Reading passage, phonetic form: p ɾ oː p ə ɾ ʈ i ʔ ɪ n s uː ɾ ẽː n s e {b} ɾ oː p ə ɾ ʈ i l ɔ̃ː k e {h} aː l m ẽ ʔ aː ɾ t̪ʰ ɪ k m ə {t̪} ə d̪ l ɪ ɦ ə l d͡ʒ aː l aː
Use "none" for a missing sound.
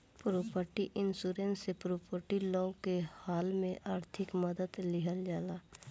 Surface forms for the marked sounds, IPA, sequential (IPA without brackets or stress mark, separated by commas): p, h, d̪